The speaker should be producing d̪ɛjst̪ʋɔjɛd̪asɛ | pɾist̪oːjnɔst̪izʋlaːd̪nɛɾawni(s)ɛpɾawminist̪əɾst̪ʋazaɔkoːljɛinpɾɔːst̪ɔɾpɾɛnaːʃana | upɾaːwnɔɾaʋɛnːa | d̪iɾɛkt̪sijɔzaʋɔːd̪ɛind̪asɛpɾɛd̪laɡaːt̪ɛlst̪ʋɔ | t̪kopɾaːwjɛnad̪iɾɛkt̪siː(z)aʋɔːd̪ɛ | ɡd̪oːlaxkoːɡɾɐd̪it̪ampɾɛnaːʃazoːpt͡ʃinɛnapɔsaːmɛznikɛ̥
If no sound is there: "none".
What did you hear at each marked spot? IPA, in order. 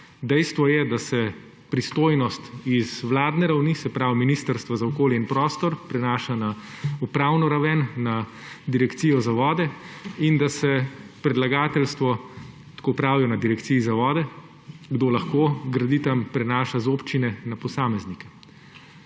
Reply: s, z

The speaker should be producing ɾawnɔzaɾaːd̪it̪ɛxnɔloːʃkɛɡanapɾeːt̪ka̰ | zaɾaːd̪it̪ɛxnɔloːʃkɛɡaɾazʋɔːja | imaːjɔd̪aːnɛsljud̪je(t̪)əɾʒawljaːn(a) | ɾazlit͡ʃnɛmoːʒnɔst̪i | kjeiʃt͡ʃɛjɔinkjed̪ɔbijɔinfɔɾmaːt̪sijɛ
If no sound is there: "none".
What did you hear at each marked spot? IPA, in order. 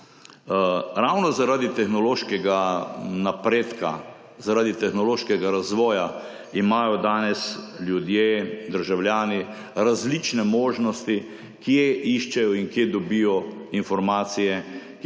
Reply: d̪, i

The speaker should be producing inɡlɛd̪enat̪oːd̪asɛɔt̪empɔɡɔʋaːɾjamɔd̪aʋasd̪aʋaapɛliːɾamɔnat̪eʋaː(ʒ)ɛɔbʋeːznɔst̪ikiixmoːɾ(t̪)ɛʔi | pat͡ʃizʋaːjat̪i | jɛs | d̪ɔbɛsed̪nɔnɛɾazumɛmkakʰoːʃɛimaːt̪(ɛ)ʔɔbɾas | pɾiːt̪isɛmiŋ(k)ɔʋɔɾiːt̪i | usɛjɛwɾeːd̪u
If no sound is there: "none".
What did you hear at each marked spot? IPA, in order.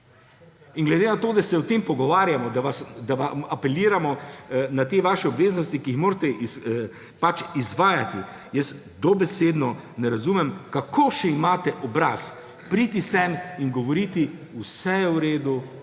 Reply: ʃ, t̪, ɛ, ɡ

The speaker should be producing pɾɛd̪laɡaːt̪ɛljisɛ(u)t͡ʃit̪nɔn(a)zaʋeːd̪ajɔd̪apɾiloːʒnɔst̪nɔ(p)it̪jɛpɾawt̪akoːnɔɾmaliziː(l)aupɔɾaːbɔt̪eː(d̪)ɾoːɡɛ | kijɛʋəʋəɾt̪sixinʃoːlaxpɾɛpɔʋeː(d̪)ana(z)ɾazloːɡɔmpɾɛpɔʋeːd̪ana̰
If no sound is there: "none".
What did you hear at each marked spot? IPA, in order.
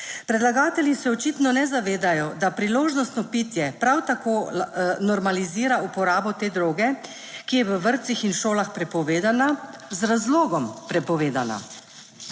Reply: ɔ, ɛ, p, ɾ, d̪, d̪, z

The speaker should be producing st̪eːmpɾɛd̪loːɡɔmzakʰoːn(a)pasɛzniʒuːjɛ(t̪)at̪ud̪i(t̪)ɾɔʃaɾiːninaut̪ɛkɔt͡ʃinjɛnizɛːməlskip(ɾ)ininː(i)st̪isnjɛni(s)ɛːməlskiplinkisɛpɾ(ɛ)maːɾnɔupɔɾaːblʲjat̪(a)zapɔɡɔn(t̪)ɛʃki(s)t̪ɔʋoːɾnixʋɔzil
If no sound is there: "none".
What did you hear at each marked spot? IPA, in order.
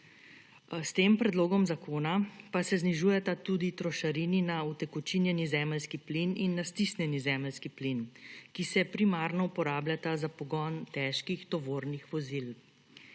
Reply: a, t̪, t̪, l, a, z, i, a, t̪, x

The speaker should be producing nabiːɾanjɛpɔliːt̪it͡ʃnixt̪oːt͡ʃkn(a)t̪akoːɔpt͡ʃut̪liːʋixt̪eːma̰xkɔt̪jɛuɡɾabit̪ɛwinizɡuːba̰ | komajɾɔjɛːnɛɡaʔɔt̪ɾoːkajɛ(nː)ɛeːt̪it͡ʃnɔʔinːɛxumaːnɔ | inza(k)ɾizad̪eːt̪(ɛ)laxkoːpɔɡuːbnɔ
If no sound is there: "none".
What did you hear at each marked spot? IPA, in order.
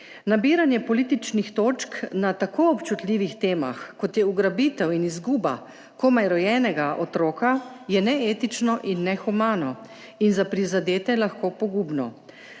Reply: a, n, p, ɛ

